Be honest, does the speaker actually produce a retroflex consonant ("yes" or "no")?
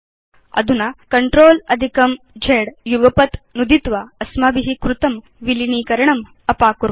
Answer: yes